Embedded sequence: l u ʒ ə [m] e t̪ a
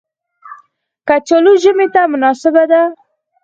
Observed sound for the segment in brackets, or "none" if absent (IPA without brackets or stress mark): m